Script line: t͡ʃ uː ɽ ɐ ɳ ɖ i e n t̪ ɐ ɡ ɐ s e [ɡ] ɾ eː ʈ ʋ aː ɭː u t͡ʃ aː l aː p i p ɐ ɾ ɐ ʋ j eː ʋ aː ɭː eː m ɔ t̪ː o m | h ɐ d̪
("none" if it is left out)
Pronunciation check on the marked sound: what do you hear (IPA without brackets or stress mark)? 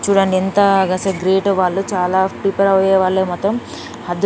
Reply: ɡ